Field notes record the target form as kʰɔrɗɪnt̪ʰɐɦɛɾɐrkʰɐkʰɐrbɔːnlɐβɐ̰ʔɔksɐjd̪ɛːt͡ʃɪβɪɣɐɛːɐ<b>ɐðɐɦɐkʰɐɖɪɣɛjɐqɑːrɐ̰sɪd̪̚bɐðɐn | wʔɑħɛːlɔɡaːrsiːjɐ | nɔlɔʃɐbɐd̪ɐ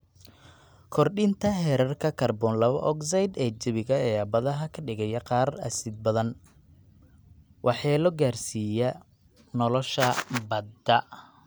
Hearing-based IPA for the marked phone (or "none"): b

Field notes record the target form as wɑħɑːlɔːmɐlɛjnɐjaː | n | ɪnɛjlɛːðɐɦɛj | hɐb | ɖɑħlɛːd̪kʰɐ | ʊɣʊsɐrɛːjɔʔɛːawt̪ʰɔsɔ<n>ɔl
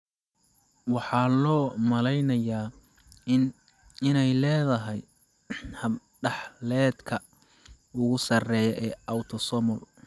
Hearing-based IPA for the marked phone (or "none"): m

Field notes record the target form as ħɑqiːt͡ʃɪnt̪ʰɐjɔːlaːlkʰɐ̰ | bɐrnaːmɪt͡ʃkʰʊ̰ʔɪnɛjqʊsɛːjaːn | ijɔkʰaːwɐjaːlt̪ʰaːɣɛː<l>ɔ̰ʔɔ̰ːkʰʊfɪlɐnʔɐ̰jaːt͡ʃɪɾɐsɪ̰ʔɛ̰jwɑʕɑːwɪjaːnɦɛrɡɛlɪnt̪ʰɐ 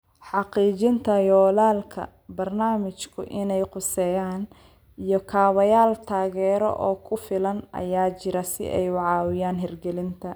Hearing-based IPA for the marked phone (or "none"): ɾ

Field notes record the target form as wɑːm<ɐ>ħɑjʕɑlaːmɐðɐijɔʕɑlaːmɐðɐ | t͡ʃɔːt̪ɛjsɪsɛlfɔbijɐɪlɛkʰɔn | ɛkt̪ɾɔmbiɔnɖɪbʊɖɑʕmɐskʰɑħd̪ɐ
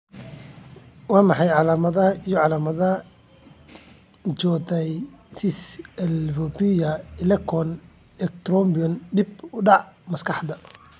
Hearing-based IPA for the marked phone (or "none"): ɑ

